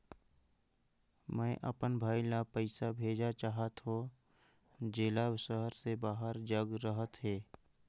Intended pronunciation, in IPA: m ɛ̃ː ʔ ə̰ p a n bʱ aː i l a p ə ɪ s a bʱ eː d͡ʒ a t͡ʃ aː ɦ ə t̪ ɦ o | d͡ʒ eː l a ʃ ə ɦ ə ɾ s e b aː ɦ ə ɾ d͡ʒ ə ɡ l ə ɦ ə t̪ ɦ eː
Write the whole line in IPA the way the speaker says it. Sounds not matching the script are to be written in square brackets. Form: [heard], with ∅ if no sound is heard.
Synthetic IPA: m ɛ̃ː ʔ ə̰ p [ə] n bʱ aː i l a p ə ɪ s a bʱ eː d͡ʒ a t͡ʃ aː ɦ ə t̪ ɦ o | d͡ʒ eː l a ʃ ə ɦ ə ɾ s e b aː ɦ ə ɾ d͡ʒ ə ɡ [ɾ] ə ɦ ə t̪ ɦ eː